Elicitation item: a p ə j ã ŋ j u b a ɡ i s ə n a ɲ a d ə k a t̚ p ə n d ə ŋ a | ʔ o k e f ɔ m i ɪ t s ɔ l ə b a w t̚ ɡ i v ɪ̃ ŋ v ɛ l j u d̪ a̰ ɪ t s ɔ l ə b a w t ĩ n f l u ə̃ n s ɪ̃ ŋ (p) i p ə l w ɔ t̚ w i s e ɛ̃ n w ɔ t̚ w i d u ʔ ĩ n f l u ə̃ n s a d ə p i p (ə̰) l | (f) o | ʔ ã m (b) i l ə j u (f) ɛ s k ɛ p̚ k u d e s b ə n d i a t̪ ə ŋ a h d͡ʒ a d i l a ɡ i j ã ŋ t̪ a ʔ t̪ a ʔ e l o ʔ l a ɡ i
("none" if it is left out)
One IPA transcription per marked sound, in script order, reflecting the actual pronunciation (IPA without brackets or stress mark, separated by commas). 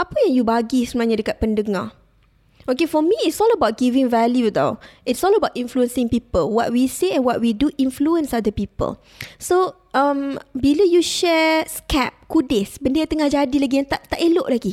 p, ə̰, s, b, ʃ